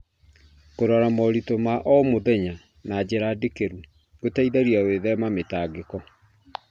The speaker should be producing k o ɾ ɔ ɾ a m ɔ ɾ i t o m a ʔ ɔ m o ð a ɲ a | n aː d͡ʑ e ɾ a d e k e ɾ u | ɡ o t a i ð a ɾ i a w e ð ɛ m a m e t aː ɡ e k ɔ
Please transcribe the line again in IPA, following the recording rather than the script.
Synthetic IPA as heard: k o ɾ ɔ ɾ a m ɔ ɾ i t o m a ʔ ɔ m o ð ɛ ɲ a | n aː d͡ʑ e ɾ a d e k e ɾ u | ɡ o t a i ð a ɾ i a w e ð ɛ m a m e t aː ɡ e k ɔ